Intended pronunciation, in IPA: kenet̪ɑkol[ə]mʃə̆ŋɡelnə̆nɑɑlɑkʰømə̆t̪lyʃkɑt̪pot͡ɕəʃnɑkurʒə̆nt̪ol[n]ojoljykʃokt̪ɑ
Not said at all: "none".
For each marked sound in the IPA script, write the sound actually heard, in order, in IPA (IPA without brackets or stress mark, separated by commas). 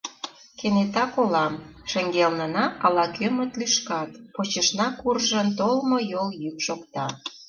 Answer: ɑ, m